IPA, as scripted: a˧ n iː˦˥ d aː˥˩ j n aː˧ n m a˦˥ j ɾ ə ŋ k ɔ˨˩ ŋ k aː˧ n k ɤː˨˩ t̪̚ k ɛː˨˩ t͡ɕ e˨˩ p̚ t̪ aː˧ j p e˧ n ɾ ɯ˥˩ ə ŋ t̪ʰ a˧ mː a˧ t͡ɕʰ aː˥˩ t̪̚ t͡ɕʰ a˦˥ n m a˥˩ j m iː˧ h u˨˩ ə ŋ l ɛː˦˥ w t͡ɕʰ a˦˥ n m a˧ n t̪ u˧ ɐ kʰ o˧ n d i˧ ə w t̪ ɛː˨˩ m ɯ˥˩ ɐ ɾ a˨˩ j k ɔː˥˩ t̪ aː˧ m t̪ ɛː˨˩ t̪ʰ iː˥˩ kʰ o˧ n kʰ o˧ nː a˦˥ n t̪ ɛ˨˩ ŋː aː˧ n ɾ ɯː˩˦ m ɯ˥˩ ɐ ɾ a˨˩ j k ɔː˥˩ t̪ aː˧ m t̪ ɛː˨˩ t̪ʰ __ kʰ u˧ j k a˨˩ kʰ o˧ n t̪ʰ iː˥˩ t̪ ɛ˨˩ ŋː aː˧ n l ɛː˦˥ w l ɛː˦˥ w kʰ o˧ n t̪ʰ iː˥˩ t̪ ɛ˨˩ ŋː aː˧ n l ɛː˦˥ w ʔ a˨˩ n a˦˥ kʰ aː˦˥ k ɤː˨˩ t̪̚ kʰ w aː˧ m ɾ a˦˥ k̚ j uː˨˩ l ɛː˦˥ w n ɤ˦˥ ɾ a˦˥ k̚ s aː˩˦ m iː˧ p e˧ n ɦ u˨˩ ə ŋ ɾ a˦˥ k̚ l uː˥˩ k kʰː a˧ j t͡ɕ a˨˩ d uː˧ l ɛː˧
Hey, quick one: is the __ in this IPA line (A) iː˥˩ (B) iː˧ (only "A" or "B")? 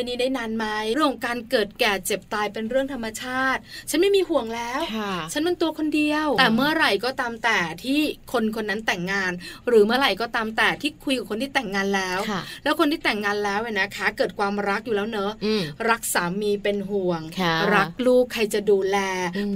A